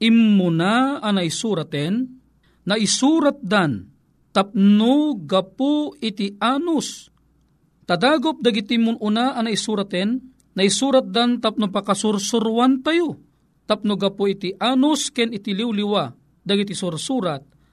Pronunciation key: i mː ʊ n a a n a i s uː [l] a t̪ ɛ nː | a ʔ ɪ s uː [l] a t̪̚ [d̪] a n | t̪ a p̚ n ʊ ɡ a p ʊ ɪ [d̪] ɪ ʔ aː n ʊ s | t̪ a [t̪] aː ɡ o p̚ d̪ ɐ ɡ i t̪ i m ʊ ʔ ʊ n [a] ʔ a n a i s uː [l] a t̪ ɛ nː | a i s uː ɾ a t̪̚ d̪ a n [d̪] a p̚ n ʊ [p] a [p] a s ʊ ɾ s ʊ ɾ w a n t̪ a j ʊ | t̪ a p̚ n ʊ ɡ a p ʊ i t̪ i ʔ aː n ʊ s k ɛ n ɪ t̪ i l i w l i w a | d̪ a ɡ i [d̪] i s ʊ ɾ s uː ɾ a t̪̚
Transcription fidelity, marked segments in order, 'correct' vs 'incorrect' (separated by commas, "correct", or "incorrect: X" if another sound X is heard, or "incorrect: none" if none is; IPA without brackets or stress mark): incorrect: ɾ, incorrect: ɾ, correct, incorrect: t̪, incorrect: d̪, correct, incorrect: ɾ, incorrect: t̪, correct, incorrect: k, incorrect: t̪